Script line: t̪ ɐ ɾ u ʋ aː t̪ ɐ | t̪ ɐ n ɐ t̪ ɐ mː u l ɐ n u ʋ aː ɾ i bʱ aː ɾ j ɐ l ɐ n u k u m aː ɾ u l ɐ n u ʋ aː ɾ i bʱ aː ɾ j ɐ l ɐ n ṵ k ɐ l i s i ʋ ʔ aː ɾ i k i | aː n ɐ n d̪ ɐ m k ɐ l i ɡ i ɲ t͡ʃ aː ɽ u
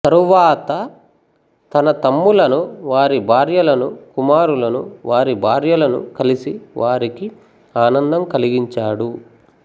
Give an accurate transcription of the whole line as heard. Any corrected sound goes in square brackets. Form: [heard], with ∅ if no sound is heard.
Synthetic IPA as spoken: t̪ ɐ ɾ u ʋ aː t̪ ɐ | t̪ ɐ n ɐ t̪ ɐ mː u l ɐ n u ʋ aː ɾ i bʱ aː ɾ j ɐ l ɐ n u k u m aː ɾ u l ɐ n u ʋ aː ɾ i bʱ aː ɾ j ɐ l ɐ n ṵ k ɐ l i s i ʋ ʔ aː ɾ i k i | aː n ɐ n d̪ ɐ m k ɐ l i ɡ i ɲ t͡ʃ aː ɽ u